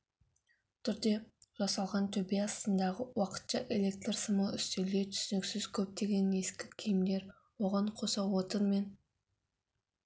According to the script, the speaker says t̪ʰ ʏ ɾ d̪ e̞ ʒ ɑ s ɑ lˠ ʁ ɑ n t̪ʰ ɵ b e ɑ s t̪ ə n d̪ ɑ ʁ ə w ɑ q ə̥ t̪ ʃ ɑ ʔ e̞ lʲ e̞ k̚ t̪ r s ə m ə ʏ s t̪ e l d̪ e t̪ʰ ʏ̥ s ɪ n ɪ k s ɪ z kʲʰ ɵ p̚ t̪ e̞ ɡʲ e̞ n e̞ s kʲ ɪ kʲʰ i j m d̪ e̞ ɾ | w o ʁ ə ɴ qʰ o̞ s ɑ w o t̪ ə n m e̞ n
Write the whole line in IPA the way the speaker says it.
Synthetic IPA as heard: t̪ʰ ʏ ɾ d̪ e̞ ʒ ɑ s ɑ lˠ ʁ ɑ n t̪ʰ ɵ b e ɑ s t̪ ə n d̪ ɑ ʁ ə w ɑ q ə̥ t̪ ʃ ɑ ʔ e̞ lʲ e̞ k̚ t̪ r s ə m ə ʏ s t̪ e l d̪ e t̪ʰ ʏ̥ s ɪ n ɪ k s ɪ z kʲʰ ɵ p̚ t̪ e̞ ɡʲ e̞ n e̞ s kʲ ɪ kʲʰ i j m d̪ e̞ ɾ | w o ʁ ɑ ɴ qʰ o̞ s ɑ w o t̪ ə n m e̞ n